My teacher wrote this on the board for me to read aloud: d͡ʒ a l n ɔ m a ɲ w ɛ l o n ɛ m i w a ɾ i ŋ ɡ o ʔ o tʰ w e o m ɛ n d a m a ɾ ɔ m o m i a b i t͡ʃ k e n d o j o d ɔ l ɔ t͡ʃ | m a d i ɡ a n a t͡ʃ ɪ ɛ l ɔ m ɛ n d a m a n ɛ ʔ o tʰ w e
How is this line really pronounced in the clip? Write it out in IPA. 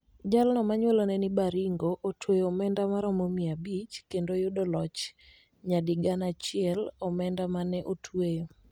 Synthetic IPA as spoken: d͡ʒ a l n ɔ m a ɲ w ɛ l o n ɛ n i b a ɾ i ŋ ɡ o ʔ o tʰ w e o m ɛ n d a m a ɾ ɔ m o m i a b i t͡ʃ k e n d o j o d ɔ l ɔ t͡ʃ | ɲ a d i ɡ a n a t͡ʃ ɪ ɛ l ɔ m ɛ n d a m a n ɛ ʔ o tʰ w e

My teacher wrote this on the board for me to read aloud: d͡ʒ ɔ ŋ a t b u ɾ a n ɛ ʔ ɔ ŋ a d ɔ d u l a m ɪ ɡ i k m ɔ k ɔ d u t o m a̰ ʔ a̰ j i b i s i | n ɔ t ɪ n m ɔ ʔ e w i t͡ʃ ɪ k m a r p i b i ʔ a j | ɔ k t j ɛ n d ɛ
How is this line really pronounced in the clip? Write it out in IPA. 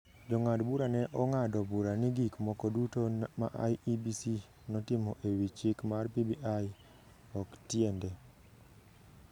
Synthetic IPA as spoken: d͡ʒ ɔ ŋ a d b u ɾ a n ɛ ʔ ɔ ŋ a d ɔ b u ɾ a n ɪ ɡ i k m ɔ k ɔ d u t o m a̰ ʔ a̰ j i b i s i | n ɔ t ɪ m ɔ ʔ e w i t͡ʃ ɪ k m a r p i b i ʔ a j | ɔ k t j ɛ n d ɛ

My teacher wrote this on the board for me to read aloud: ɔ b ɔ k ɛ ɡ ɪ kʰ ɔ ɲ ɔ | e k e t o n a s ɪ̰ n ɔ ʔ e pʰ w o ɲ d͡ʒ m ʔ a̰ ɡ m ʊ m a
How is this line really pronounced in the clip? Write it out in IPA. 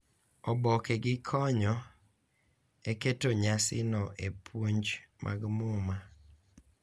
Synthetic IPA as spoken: ɔ b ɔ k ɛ ɡ ɪ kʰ ɔ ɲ ɔ | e k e t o ɲ a s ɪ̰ n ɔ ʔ e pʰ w o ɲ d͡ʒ m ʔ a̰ ɡ m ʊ m a

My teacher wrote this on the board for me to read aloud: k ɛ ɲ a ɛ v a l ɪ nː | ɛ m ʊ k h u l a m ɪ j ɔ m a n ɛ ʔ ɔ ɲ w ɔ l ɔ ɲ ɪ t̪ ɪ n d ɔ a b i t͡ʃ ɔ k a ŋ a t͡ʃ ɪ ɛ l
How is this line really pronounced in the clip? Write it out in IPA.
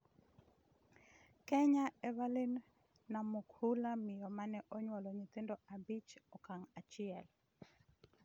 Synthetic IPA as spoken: k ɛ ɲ a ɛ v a l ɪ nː | a m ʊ k h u l a m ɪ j ɔ m a n ɛ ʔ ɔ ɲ w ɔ l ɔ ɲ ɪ t̪ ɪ n d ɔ a b i t͡ʃ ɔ k a ŋ a t͡ʃ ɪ ɛ l

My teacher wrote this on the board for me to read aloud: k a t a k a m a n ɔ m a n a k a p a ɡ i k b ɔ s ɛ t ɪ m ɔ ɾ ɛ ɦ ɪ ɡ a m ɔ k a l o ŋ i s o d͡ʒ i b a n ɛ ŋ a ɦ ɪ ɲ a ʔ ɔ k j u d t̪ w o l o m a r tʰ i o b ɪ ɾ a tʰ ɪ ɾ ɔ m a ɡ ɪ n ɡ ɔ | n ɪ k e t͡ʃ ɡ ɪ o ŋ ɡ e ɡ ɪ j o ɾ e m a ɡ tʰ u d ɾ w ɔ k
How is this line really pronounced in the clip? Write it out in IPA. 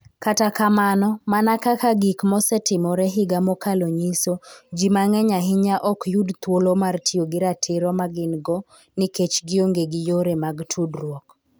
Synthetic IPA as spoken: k a t a k a m a n ɔ m a n a k a k a ɡ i k m ɔ s ɛ t ɪ m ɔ ɾ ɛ ɦ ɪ ɡ a m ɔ k a l o ɲ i s o d͡ʒ i m a ŋ ɛ ɲ a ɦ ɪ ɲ a ʔ ɔ k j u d t̪ w o l o m a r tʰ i o ɡ ɪ ɾ a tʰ ɪ ɾ ɔ m a ɡ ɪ n ɡ ɔ | n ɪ k e t͡ʃ ɡ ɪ o ŋ ɡ e ɡ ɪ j o ɾ e m a ɡ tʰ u d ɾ w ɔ k

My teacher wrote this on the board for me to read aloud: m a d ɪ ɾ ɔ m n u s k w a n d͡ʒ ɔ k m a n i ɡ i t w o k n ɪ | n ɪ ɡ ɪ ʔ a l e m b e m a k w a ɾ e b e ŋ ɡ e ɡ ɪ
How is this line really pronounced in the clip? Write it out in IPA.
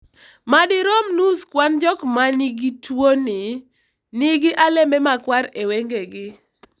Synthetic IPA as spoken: m a d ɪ ɾ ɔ m n u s k w a n d͡ʒ ɔ k m a n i ɡ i t w o n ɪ | n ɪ ɡ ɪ ʔ a l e m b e m a k w a ɾ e w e ŋ ɡ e ɡ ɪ

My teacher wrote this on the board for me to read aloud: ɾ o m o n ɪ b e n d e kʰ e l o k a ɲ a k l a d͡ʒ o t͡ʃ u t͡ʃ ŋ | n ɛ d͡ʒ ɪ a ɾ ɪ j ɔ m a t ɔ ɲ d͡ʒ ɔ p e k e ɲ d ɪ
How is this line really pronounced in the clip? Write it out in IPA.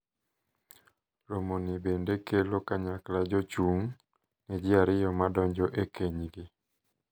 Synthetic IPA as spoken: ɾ o m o n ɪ b e n d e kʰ e l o k a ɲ a k l a d͡ʒ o t͡ʃ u ŋ | n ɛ d͡ʒ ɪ a ɾ ɪ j ɔ m a d ɔ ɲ d͡ʒ ɔ ʔ e k e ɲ ɡ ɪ

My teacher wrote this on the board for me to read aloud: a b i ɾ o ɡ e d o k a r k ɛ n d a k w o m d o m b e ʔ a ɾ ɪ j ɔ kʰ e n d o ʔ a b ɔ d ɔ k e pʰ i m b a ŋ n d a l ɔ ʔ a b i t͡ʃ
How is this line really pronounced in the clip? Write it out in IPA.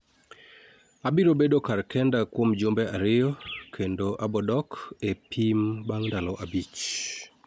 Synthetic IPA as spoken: a b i ɾ o b e d o k a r k ɛ n d a k w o m d͡ʒ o m b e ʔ a ɾ ɪ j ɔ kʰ e n d o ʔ a b ɔ d ɔ k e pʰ i m b a ŋ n d a l ɔ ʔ a b i t͡ʃ

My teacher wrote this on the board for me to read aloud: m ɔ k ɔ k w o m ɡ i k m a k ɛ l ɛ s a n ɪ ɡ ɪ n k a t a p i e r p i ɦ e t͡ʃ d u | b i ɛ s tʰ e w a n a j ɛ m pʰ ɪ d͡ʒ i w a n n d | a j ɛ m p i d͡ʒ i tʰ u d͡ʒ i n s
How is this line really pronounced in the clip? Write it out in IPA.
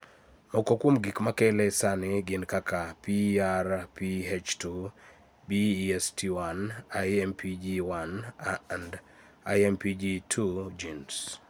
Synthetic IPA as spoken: m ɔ k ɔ k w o m ɡ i k m a k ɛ l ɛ s a n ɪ ɡ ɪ n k a k a p i a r p i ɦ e t͡ʃ t u | b i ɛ s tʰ i w a n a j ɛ m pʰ i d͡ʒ i w a n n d | a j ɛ m p i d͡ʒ i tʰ u d͡ʒ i n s

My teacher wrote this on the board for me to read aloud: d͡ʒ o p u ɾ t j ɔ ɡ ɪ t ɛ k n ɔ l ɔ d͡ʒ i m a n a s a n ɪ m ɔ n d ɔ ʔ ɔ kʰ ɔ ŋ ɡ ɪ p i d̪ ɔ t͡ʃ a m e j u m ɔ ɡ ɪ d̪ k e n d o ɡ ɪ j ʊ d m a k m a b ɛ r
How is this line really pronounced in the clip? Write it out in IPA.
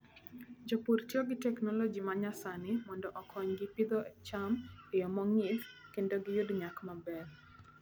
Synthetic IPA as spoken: d͡ʒ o p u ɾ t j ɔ ɡ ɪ t ɛ k n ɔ l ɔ d͡ʒ i m a ɲ a s a n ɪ m ɔ n d ɔ ʔ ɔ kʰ ɔ ɲ ɡ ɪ p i d̪ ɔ t͡ʃ a m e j ɔ m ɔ ŋ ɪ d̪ k e n d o ɡ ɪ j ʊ d ɲ a k m a b ɛ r

